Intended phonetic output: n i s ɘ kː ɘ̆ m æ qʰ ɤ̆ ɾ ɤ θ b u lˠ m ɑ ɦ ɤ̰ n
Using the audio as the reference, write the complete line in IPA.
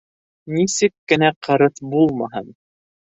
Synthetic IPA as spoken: n i s ɘ kː ɘ̆ n æ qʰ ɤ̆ ɾ ɤ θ b u lˠ m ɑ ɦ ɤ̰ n